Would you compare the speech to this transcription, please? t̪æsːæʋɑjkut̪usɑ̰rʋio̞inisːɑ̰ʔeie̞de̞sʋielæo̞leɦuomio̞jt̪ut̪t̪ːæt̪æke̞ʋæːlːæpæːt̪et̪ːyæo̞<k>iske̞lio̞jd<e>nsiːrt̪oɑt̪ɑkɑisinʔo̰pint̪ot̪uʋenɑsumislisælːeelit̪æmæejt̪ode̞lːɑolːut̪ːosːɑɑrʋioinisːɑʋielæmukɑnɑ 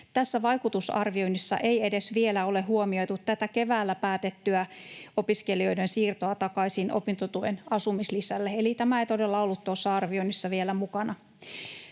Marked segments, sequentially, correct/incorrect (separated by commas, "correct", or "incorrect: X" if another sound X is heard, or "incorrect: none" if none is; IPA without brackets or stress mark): incorrect: p, correct